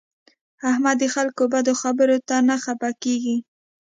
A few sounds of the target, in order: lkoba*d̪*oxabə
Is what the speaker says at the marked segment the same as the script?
yes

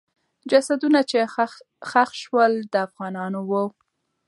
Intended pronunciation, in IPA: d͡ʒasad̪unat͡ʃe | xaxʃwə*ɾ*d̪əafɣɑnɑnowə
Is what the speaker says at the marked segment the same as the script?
no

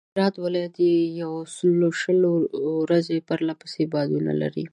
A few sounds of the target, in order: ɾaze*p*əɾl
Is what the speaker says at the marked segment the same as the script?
yes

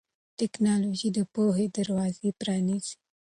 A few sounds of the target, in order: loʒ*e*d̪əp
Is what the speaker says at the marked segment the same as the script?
no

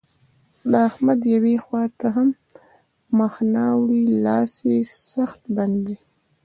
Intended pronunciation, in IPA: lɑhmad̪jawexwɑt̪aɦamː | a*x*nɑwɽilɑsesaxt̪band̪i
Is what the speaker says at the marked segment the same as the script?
yes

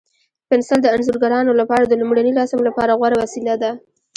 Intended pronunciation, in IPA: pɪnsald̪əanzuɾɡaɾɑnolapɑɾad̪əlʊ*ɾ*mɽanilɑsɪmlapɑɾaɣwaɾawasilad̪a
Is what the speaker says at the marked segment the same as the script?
no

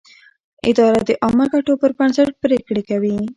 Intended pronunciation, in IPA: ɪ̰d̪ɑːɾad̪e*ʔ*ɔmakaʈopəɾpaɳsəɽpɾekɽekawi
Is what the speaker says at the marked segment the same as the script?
yes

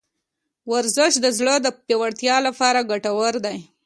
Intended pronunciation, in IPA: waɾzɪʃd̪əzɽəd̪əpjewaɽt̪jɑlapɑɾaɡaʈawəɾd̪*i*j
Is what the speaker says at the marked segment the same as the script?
no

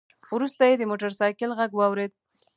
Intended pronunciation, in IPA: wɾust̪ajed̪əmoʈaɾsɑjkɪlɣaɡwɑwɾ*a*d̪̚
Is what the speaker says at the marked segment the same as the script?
no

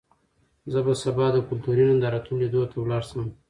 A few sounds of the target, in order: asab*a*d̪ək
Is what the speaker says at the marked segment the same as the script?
no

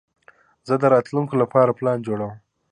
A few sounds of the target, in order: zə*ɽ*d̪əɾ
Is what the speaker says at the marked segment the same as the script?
no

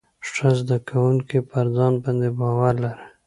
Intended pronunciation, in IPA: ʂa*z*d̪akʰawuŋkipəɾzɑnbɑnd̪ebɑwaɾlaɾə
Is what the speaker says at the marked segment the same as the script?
yes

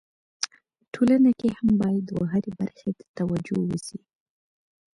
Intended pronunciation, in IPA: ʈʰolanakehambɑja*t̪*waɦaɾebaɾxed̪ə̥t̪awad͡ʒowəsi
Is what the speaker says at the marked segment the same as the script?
no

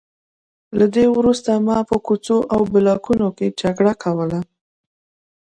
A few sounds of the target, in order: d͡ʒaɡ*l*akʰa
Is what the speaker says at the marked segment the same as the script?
no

